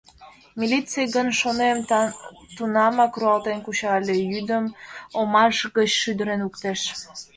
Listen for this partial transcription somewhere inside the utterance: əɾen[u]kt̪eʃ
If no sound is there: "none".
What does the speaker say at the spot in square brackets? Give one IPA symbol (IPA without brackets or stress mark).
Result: u